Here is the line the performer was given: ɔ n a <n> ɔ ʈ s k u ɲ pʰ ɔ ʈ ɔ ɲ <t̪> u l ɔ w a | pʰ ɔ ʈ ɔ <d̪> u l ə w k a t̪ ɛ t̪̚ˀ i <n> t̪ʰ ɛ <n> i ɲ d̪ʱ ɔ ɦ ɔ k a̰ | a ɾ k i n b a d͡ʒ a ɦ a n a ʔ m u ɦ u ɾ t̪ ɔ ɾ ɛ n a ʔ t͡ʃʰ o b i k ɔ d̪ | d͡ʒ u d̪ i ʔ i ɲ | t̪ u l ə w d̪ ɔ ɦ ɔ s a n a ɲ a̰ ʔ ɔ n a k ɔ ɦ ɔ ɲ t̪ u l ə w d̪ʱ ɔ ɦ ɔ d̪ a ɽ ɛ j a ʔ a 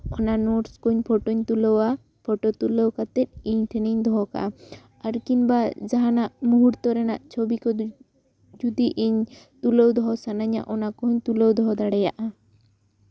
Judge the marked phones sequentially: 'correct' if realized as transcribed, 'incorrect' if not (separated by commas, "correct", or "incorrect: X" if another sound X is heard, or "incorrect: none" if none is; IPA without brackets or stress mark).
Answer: correct, correct, incorrect: t̪, incorrect: ɲ, correct